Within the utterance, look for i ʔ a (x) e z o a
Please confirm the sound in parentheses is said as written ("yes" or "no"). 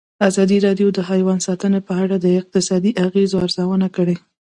no